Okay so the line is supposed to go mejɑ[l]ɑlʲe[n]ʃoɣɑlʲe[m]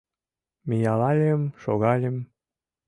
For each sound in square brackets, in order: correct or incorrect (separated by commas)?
correct, incorrect, correct